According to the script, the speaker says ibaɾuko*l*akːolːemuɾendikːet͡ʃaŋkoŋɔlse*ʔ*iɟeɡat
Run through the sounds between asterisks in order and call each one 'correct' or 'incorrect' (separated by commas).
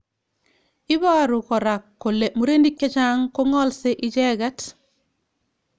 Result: incorrect, correct